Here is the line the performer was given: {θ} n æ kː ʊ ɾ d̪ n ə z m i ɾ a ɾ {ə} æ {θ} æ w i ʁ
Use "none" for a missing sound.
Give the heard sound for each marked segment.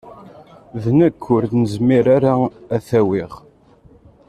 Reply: ð, a, θ

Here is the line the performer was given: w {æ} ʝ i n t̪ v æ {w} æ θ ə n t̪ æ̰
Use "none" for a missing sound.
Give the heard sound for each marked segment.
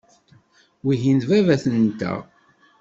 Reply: i, v

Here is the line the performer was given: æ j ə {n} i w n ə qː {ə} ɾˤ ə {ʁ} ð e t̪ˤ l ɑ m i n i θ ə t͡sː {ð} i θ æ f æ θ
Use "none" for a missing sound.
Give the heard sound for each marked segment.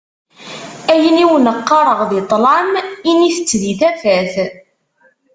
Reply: n, ɑ, ʁ, ð

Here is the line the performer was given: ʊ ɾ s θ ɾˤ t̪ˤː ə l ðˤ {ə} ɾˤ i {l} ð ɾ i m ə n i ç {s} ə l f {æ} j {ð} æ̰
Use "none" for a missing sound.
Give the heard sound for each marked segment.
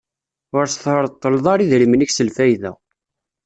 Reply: ɑ, none, s, æ, ð

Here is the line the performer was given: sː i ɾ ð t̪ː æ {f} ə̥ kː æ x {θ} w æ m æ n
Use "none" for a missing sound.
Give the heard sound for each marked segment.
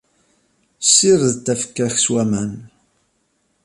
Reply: f, s

